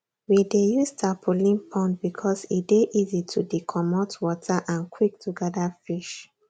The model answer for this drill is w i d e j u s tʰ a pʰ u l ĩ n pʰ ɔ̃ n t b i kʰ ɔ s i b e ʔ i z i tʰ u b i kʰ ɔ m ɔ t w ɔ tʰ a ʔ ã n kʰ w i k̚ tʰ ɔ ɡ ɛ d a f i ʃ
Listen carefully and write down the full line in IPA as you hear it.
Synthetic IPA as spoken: w i d e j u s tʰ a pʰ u l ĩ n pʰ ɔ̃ n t b i kʰ ɔ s i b e ʔ i z i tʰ u d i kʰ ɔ m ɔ t w ɔ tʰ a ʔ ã n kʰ w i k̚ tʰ u ɡ ɛ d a f i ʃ